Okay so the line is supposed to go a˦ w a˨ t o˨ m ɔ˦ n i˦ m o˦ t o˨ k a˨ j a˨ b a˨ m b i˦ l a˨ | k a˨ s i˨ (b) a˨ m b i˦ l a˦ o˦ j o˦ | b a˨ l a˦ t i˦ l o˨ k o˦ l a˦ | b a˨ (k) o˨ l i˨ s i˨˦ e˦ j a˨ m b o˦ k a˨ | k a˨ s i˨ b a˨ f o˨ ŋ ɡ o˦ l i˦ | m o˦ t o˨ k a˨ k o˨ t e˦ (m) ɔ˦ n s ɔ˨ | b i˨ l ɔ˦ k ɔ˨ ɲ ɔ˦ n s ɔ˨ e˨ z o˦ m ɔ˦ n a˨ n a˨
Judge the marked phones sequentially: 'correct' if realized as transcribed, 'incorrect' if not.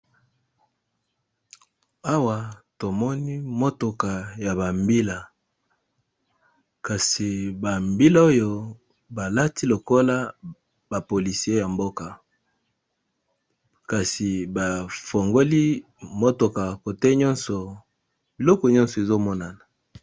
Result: correct, incorrect: p, incorrect: ɲ

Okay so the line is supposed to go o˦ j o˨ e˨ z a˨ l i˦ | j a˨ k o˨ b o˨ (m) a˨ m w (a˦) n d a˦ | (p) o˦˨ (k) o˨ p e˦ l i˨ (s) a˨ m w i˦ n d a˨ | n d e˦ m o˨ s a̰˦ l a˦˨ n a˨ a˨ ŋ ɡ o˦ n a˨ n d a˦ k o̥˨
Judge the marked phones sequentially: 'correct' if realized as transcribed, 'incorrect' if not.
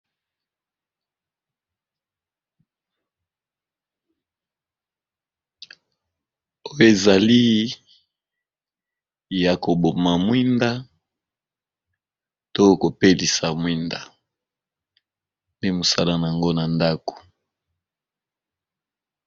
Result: correct, incorrect: i˦, incorrect: t, correct, correct

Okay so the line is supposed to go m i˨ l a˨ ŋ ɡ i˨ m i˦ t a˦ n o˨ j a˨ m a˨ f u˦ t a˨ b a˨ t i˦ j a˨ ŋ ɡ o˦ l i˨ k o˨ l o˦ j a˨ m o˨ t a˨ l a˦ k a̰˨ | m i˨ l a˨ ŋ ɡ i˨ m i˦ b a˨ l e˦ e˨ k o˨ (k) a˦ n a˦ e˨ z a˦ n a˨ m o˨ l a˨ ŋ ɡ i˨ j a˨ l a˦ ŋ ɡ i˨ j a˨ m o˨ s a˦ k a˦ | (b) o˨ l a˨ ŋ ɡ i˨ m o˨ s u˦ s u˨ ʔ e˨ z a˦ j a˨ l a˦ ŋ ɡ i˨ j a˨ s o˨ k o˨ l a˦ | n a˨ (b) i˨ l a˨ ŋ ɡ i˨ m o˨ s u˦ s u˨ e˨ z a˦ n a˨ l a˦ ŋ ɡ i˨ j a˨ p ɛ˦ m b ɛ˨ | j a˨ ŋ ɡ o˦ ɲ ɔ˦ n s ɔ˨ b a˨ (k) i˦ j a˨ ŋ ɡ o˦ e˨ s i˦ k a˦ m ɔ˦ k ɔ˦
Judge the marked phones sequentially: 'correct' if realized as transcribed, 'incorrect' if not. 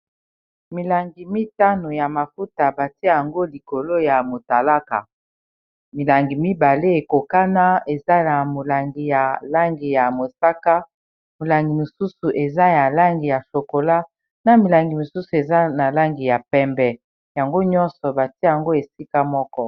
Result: correct, incorrect: m, incorrect: m, incorrect: t

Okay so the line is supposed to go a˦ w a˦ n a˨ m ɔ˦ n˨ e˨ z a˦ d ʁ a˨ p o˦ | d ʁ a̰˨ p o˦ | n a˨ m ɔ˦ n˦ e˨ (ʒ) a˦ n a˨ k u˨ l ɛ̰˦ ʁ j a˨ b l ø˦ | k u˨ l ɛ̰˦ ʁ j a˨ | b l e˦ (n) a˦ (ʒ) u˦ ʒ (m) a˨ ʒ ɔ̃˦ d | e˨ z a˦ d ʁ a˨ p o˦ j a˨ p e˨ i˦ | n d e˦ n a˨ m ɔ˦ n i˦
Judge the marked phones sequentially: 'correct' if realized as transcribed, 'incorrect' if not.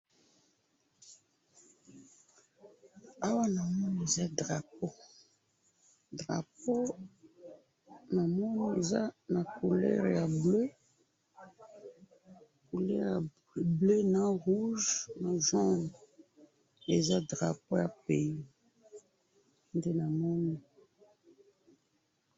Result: incorrect: z, correct, incorrect: ʁ, incorrect: n

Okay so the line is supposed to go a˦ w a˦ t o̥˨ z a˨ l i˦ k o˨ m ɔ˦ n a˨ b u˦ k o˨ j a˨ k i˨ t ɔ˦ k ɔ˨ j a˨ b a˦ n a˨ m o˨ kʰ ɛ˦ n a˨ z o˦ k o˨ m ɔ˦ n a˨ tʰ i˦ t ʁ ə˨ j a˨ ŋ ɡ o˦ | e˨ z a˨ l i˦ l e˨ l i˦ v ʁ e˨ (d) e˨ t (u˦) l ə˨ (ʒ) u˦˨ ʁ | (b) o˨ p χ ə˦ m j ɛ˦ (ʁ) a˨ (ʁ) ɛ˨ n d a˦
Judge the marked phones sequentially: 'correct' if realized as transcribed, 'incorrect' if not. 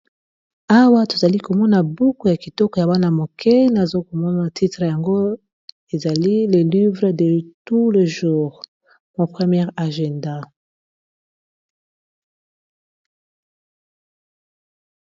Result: correct, correct, correct, incorrect: m, correct, incorrect: ʒ

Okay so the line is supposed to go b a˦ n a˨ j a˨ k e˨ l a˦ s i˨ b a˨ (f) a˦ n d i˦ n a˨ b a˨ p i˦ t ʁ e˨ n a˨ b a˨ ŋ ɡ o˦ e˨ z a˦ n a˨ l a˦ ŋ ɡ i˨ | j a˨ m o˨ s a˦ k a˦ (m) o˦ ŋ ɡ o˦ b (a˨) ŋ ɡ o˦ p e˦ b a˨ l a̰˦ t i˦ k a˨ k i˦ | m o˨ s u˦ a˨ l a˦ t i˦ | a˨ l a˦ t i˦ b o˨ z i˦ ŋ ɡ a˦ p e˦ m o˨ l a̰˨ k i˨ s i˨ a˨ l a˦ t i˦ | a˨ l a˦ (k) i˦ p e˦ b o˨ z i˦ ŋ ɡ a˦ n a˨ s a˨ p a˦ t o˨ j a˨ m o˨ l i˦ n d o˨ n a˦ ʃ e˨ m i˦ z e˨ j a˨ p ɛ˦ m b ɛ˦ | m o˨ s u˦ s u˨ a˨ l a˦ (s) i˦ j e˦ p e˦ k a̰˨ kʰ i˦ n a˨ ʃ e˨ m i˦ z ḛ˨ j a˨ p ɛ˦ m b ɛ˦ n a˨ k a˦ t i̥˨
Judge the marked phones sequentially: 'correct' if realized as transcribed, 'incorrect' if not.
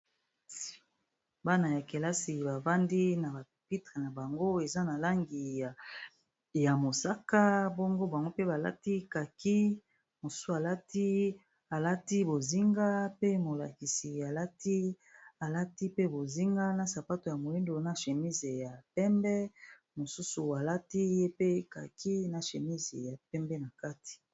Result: incorrect: v, incorrect: b, correct, incorrect: t, incorrect: t

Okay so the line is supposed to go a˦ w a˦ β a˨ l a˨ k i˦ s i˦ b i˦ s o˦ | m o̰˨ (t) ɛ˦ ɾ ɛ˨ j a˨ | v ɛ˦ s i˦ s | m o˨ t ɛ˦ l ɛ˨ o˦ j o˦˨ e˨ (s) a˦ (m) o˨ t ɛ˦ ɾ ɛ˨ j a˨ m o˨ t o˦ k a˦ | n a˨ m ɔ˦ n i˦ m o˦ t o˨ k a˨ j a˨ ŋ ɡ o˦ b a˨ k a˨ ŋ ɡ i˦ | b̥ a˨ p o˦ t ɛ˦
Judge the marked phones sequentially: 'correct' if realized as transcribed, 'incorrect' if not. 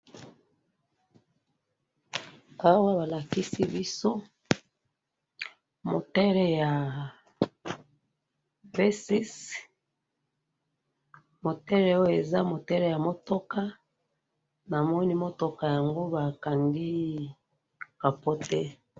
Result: correct, incorrect: z, correct

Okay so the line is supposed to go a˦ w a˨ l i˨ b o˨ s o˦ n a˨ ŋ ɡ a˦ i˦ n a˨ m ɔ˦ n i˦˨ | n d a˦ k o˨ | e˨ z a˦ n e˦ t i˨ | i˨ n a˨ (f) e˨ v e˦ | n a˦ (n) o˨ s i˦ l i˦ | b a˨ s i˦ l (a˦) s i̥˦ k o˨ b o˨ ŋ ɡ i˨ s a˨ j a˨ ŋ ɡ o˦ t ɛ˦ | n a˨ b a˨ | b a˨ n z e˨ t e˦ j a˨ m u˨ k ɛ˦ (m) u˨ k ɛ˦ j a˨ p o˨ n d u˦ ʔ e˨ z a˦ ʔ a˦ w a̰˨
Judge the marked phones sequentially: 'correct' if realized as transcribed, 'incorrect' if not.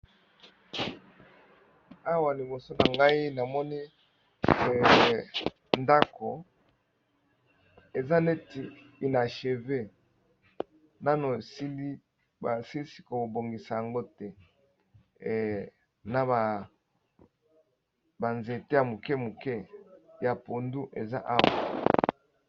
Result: incorrect: ʃ, correct, incorrect: i˦, correct

